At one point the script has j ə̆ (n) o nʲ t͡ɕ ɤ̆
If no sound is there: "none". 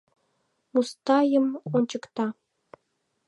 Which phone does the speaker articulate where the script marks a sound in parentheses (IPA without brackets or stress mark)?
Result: m